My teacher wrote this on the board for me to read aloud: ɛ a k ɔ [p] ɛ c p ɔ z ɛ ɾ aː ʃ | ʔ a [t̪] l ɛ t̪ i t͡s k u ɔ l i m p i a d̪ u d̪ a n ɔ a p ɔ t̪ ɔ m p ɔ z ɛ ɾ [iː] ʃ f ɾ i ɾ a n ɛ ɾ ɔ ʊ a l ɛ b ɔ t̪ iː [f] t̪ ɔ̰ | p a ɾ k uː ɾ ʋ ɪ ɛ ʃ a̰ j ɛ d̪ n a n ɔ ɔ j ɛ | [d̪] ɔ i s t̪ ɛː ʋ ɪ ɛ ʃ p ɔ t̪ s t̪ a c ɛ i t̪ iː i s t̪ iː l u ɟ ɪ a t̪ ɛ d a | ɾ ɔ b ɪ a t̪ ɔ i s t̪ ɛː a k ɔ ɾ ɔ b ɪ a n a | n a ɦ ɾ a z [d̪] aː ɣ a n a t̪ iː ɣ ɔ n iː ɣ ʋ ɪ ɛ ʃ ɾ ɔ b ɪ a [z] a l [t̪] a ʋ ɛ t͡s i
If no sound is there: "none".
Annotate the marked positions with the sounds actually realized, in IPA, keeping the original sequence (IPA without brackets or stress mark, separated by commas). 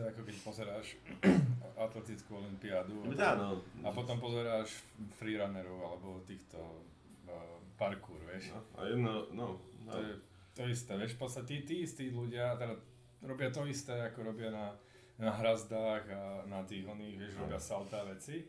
k, t̪, aː, x, t̪, d̪, s, t̪